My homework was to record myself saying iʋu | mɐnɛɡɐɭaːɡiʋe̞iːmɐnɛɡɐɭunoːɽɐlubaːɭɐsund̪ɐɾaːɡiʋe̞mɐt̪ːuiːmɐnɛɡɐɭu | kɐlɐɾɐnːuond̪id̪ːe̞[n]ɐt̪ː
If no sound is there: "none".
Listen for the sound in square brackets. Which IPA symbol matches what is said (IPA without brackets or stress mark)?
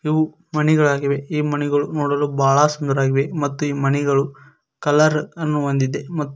m